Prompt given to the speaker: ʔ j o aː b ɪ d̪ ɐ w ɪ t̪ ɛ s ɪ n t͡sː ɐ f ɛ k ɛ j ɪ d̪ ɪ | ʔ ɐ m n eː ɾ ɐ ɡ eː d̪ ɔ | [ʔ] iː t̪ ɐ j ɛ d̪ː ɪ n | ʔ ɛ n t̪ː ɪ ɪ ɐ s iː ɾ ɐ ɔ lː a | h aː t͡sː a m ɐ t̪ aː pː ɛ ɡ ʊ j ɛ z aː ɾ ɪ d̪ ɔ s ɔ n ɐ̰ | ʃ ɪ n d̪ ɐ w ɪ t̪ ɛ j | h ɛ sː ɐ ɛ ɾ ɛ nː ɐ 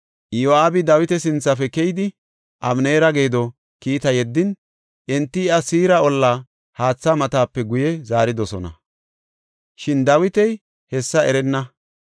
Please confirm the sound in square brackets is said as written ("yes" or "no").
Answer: no